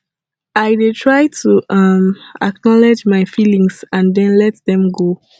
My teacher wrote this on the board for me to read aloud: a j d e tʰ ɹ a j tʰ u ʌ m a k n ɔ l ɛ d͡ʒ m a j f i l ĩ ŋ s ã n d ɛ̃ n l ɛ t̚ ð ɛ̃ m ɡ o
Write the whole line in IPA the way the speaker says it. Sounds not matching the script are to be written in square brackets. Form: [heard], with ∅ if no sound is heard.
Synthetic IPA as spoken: a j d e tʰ ɹ a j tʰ u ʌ m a k n ɔ l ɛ d͡ʒ m a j f i l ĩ ŋ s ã n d ɛ̃ n l ɛ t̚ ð ɛ̃ m ɡ o

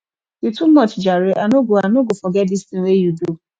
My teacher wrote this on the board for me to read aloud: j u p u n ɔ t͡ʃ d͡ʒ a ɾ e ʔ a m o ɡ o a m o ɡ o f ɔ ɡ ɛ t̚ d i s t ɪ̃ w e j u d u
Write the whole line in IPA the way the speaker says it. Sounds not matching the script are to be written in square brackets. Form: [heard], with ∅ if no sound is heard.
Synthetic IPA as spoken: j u [t] u [m] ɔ t͡ʃ d͡ʒ a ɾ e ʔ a [n] o ɡ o a [n] o ɡ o f ɔ ɡ ɛ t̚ d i s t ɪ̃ w e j u d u

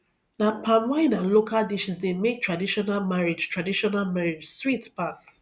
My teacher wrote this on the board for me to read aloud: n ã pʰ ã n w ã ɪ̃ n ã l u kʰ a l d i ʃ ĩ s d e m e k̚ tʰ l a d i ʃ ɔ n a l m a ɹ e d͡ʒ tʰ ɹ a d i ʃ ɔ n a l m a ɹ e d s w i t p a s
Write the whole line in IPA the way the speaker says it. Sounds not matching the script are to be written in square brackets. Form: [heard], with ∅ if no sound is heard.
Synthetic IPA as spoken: n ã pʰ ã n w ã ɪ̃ n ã l [o] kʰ a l d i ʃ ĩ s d e m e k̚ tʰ [ɹ] a d i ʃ ɔ n a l m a ɹ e d͡ʒ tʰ ɹ a d i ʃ ɔ n a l m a ɹ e [d͡ʒ] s w i t p a s

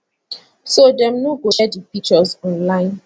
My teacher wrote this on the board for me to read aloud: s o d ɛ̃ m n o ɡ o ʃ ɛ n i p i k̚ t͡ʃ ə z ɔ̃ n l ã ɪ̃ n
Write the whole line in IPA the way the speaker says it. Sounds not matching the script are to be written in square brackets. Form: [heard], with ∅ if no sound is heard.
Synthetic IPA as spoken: s o d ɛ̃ m n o ɡ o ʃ ɛ [d] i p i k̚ t͡ʃ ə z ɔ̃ n l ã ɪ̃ n

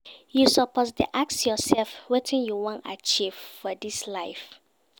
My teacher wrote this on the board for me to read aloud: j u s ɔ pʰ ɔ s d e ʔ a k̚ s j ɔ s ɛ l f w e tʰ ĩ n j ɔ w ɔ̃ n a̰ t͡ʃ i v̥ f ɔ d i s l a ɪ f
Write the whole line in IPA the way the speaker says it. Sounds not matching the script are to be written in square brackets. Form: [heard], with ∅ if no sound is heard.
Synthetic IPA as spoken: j u s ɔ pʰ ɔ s d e ʔ a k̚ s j ɔ s ɛ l f w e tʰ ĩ n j [u] w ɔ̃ n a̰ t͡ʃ i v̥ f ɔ d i s l a ɪ f

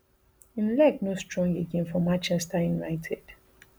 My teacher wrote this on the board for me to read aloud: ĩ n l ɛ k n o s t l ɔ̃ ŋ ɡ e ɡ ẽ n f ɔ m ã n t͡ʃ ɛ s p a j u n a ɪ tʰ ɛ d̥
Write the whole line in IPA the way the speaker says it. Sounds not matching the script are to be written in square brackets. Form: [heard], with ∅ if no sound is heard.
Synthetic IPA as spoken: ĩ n l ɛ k n o s t [ɹ] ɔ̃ ŋ ɡ e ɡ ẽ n f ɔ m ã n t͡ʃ ɛ s [t] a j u n a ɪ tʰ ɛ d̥

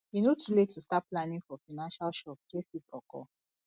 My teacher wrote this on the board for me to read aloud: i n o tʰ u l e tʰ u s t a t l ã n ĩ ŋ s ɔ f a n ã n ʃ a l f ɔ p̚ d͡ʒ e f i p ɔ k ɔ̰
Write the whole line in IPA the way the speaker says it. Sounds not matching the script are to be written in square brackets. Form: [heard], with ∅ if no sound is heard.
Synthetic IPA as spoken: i n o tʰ u l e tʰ u s t a [p] l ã n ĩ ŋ [f] ɔ f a n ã n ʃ a l [ʃ] ɔ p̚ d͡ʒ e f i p ɔ k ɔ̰

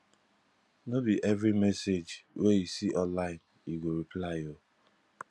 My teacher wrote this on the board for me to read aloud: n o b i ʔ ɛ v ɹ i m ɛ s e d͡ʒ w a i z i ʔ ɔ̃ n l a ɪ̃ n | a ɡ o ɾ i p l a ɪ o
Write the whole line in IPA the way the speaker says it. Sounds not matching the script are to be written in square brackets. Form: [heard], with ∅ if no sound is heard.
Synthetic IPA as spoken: n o b i ʔ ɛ v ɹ i m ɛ s e d͡ʒ w [e] i [s] i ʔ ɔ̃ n l a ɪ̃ n | [i] ɡ o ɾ i p l a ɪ o

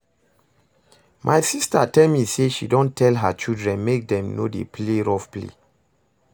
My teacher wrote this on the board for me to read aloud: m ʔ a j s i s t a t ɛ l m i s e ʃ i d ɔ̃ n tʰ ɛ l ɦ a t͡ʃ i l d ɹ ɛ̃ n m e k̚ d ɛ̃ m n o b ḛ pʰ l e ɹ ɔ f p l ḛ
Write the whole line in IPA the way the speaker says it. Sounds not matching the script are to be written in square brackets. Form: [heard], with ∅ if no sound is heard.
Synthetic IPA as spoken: m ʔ a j s i s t a t ɛ l m i s e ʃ i d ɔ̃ n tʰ ɛ l ɦ a t͡ʃ i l d ɹ ɛ̃ n m e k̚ d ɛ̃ m n o [d] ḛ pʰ l e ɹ ɔ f p l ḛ

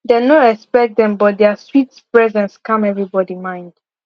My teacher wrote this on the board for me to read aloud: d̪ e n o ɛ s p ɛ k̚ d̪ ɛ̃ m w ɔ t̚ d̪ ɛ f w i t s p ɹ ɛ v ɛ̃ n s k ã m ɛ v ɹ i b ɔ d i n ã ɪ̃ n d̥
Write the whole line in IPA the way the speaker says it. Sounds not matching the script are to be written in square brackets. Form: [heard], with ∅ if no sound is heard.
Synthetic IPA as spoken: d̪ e n o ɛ s p ɛ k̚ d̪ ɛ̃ m [b] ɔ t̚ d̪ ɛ [s] w i t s p ɹ ɛ [z] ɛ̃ n s k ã m ɛ v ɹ i b ɔ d i [m] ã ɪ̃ n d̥

